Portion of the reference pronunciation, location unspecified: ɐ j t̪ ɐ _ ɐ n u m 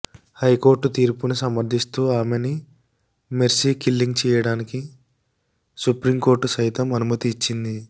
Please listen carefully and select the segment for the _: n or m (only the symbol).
m